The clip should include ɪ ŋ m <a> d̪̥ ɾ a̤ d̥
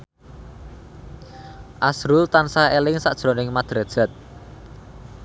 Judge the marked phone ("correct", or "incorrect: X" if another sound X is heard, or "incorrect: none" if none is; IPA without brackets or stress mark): correct